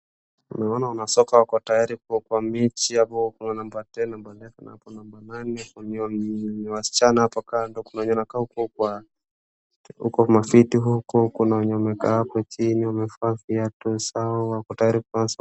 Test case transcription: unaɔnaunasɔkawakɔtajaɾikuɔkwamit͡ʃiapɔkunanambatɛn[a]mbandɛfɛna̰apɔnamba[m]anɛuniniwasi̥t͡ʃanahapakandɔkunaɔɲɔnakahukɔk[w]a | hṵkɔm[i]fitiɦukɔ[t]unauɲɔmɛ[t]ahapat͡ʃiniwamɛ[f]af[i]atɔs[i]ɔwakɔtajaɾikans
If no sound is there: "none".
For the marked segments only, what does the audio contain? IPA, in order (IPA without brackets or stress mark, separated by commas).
a, n, w, a, k, k, f, i, a